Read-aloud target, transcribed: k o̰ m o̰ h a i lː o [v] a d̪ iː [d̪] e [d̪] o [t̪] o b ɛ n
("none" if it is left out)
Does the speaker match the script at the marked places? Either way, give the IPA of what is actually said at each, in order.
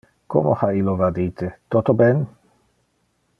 v, t̪, t̪, t̪

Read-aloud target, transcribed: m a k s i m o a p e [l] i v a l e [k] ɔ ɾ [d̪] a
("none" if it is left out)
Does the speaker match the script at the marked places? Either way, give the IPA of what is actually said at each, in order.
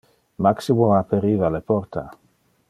ɾ, p, t̪

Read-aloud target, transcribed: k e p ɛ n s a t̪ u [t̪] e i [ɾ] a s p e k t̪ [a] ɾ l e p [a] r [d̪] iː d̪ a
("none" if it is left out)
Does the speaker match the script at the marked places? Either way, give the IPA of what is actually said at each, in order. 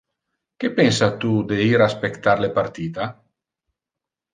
d̪, ɾ, a, a, t̪

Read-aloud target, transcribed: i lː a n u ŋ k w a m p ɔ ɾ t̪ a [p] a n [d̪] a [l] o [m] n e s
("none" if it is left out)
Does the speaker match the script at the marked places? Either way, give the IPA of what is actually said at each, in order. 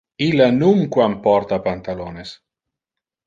p, t̪, l, none

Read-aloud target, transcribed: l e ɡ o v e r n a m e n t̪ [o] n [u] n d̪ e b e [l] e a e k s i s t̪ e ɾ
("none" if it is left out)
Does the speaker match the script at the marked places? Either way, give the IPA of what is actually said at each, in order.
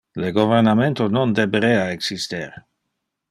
o, o, ɾ

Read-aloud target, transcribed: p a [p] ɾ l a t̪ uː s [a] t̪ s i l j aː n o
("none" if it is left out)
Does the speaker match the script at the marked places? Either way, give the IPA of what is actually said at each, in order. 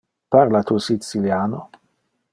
none, i

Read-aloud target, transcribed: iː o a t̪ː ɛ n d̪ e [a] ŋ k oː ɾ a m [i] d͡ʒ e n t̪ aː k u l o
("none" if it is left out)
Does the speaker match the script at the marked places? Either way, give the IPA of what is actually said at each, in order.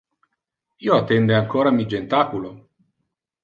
a, i

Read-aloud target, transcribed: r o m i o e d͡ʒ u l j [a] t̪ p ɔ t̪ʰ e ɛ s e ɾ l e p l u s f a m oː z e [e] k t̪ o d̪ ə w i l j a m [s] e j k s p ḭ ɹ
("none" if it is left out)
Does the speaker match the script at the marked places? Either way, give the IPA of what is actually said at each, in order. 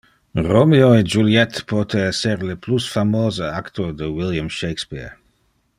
ɛ, a, ʃ

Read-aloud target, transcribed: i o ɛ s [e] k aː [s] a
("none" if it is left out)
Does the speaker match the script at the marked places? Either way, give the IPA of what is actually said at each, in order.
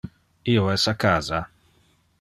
a, z

